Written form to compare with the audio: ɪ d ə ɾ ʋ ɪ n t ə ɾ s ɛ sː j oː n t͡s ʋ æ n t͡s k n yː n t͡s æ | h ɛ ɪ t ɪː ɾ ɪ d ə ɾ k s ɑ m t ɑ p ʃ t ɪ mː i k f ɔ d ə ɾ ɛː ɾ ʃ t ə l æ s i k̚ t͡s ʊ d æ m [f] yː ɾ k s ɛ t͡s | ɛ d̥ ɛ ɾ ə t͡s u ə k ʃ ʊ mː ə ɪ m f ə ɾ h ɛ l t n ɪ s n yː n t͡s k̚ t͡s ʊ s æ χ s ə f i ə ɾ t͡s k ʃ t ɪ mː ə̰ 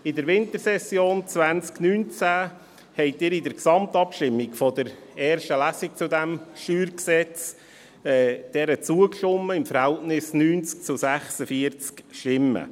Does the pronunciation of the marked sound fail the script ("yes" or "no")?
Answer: yes